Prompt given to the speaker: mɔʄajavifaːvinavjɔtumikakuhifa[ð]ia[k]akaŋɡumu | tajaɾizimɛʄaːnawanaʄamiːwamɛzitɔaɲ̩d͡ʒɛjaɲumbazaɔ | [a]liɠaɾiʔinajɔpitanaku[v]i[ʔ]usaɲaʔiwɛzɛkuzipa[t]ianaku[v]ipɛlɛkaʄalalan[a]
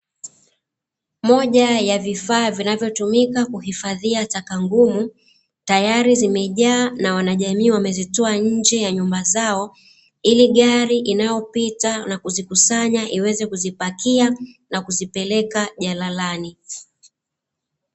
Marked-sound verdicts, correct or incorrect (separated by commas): correct, incorrect, incorrect, incorrect, incorrect, incorrect, incorrect, incorrect